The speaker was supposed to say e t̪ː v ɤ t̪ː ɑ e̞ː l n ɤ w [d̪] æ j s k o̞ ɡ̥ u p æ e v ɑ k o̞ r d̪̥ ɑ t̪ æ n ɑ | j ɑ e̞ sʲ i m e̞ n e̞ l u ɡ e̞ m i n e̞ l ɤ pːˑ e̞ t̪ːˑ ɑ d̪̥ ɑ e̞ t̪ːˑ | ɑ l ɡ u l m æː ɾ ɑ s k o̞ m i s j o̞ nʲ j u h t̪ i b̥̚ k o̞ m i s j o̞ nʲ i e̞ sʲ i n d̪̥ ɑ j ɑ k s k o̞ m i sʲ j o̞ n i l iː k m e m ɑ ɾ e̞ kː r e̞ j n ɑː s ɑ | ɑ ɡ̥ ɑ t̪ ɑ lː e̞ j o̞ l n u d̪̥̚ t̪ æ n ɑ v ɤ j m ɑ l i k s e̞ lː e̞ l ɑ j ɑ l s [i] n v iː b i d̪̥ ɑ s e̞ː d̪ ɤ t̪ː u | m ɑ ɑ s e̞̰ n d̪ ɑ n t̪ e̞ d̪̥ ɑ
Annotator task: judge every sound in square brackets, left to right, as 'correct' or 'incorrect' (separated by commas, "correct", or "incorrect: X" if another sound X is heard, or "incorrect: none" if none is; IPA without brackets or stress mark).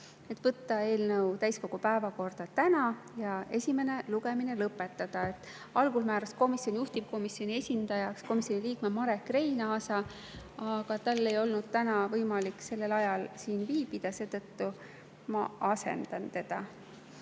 incorrect: t̪, incorrect: iː